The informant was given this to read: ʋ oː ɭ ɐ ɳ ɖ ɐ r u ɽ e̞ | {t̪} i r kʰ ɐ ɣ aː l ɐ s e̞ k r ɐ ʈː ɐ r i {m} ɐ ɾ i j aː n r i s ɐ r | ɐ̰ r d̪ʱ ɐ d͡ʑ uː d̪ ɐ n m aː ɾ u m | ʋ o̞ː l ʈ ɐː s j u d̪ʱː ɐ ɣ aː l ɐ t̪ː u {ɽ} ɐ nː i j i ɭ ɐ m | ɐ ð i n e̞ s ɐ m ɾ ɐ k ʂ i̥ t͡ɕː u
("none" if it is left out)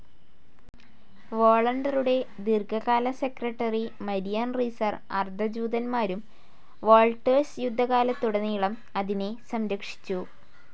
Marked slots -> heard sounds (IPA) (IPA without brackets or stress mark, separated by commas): d̪, m, ɽ